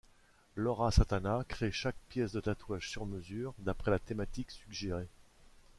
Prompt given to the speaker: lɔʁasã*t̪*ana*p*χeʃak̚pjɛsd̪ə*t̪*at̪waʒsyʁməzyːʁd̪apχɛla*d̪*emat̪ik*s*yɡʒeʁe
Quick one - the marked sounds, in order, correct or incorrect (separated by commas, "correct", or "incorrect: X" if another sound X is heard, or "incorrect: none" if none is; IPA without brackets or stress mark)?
correct, incorrect: k, correct, incorrect: t̪, correct